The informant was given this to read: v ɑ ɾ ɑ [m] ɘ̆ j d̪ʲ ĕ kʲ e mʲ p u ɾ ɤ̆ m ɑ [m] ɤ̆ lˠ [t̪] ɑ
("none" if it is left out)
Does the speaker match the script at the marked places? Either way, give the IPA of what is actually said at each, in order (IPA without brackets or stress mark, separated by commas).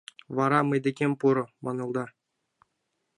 m, n, d̪